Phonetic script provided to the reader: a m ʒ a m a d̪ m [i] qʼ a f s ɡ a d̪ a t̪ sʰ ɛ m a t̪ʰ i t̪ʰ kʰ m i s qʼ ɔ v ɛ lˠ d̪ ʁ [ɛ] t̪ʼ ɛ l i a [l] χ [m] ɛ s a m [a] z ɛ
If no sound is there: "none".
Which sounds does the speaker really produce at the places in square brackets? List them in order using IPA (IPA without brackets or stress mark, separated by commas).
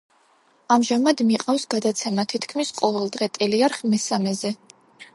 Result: i, ɛ, ɾ, m, ɛ